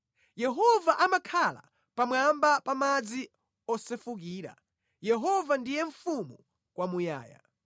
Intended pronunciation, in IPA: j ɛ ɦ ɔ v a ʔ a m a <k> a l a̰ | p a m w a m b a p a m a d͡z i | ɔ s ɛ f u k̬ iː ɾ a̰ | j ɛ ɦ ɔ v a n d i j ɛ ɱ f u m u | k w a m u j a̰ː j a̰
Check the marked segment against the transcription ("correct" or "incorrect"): incorrect